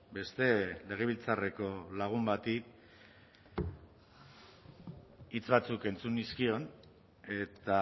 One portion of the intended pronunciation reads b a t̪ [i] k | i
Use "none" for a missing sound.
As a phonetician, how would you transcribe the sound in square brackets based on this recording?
i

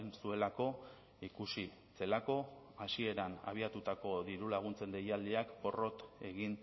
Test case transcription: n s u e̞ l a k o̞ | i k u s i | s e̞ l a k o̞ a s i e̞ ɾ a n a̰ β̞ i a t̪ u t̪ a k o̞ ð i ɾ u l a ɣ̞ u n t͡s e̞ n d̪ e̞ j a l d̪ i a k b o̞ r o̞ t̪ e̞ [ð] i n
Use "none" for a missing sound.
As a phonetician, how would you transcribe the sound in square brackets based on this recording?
ɣ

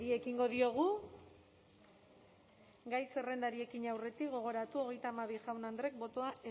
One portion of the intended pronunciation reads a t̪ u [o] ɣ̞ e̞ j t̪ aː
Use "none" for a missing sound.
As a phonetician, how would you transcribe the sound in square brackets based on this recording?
o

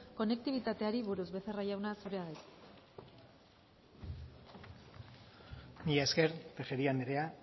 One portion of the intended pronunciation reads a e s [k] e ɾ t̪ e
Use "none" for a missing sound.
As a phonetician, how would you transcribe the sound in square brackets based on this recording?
k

